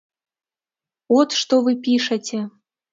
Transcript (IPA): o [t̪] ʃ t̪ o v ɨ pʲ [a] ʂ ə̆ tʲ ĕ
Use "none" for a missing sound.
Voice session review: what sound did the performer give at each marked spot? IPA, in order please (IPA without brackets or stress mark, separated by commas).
t̪, i